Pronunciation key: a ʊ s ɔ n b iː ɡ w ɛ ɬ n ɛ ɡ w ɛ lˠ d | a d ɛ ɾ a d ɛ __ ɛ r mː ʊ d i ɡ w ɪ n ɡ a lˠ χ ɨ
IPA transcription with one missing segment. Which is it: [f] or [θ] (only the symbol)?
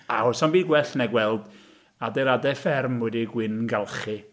f